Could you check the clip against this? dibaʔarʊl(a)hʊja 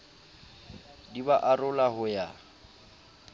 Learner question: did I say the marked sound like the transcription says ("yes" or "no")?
yes